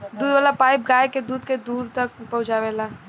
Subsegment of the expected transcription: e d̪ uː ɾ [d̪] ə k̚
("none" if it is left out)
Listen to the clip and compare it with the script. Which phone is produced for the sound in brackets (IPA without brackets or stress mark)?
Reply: t̪